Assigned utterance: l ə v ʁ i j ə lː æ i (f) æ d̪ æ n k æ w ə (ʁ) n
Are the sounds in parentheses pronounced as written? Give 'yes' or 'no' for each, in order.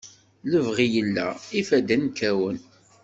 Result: yes, no

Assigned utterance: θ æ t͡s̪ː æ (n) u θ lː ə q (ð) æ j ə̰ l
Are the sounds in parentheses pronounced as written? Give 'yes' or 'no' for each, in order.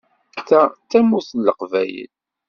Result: no, no

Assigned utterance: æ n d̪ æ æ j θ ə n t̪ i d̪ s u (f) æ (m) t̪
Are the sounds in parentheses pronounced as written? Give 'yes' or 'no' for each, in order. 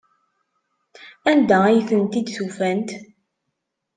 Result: yes, no

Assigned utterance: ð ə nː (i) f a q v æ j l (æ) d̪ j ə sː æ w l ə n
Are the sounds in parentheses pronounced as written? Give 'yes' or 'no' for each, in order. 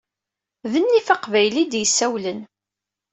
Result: yes, no

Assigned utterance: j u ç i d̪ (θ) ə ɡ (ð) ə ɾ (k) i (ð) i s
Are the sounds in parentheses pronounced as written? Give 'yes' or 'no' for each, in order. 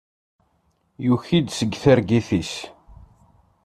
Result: no, no, no, no

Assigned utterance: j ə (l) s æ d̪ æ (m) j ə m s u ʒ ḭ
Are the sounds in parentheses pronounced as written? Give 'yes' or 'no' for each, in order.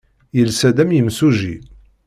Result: yes, yes

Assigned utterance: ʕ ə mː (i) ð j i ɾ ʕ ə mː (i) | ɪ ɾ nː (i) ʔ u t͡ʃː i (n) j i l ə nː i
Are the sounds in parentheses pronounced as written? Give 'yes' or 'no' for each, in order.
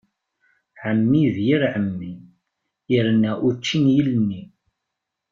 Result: yes, yes, no, yes

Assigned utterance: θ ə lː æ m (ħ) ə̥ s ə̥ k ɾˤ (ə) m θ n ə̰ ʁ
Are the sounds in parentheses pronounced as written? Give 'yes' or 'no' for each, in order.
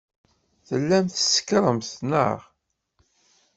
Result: no, yes

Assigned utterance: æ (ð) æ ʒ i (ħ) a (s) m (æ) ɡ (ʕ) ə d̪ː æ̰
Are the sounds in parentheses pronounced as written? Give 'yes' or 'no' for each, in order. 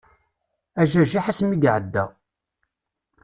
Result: no, yes, yes, no, yes

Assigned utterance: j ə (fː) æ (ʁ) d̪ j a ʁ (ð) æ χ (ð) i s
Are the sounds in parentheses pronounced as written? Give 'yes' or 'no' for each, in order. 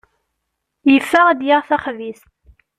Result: yes, yes, no, no

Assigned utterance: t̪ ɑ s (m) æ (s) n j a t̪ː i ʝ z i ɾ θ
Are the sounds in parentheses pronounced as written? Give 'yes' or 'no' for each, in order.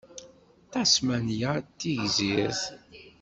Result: yes, no

